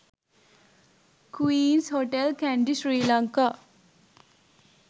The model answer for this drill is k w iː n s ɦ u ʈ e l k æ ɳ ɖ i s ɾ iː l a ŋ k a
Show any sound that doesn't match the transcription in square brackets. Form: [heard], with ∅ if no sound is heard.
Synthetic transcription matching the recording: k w iː n s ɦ [o] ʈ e l k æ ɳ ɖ i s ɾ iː l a ŋ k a